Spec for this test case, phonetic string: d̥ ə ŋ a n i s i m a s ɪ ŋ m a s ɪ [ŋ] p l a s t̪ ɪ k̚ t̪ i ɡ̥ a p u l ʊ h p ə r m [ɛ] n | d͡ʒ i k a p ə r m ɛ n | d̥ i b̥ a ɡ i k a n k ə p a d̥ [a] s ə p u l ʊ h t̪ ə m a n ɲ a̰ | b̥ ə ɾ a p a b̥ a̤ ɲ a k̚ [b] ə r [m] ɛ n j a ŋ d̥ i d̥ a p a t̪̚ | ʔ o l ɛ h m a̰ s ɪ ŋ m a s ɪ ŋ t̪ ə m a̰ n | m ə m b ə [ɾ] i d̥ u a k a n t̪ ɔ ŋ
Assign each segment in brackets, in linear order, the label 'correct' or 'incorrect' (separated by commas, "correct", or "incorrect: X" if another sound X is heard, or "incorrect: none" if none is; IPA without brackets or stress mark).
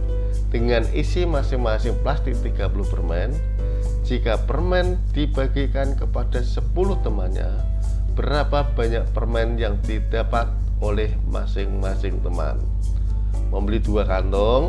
correct, correct, correct, incorrect: p, correct, incorrect: l